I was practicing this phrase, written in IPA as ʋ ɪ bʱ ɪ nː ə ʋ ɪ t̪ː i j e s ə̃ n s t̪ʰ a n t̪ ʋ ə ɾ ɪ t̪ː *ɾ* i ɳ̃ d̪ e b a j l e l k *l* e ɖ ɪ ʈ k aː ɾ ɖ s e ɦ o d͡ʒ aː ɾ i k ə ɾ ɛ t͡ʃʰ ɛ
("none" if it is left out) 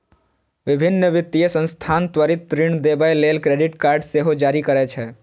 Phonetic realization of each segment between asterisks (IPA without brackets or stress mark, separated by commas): ɾ, ɾ